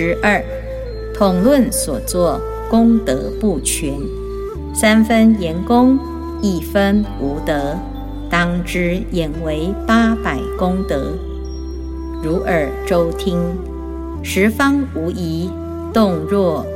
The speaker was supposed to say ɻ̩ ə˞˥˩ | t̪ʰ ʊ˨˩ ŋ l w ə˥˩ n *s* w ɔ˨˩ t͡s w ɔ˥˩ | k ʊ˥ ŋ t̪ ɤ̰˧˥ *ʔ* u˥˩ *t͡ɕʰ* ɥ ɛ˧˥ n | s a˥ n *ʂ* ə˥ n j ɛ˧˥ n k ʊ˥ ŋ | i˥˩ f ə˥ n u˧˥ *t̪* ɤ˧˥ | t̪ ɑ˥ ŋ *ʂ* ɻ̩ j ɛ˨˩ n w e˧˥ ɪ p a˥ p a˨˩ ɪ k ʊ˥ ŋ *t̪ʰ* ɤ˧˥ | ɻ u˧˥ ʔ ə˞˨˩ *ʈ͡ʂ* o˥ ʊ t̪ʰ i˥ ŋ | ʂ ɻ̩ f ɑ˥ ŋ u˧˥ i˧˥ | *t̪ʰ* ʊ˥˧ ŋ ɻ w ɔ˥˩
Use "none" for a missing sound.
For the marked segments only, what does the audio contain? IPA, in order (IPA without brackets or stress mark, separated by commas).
s, p, t͡ɕʰ, f, t̪, ʈ͡ʂ, t̪, ʈ͡ʂ, t̪